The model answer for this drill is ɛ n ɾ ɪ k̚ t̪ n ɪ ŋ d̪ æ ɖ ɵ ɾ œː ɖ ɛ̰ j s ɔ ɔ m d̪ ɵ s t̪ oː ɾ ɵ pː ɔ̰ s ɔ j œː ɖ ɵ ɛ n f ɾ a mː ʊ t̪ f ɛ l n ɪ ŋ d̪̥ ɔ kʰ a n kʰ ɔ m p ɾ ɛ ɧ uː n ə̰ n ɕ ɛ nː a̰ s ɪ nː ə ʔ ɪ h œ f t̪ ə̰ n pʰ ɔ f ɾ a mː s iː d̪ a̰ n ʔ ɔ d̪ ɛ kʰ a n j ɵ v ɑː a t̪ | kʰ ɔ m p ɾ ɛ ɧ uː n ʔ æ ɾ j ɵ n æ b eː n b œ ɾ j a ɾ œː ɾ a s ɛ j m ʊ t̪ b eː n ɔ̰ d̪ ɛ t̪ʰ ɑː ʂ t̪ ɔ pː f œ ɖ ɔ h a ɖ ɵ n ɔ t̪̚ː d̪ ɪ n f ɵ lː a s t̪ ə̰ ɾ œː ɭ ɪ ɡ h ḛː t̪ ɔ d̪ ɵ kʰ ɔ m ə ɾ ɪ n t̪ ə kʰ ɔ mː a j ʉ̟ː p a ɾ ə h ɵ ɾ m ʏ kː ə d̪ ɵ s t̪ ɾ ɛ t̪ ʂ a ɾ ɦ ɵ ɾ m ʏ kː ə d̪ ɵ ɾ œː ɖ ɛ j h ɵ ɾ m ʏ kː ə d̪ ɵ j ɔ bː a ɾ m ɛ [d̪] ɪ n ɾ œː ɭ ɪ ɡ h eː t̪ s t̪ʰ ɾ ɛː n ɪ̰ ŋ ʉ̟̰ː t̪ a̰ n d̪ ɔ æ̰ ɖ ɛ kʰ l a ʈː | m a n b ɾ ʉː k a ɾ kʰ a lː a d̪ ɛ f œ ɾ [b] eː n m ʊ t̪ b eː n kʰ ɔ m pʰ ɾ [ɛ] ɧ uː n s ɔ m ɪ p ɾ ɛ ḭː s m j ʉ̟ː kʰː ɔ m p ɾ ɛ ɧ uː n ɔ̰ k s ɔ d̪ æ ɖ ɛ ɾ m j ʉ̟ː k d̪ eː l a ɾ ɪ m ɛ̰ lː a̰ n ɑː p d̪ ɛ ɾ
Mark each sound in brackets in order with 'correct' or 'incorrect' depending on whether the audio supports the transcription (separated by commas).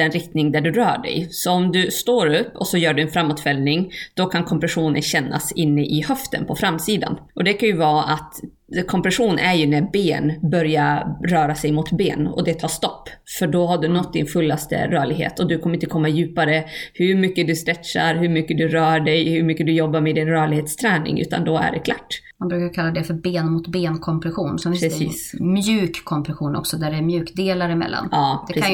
correct, correct, correct